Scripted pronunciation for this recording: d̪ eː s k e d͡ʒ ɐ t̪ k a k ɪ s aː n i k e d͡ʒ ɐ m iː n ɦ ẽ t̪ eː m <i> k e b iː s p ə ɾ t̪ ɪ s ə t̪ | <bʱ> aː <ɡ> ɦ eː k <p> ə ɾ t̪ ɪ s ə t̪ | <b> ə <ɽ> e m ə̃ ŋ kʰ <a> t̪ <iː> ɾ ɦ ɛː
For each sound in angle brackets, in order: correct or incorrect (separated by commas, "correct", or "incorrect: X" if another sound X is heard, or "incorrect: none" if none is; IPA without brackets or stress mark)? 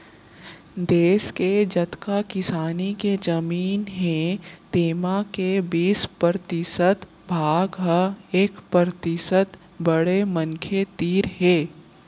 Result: incorrect: a, correct, correct, correct, correct, correct, incorrect: e, correct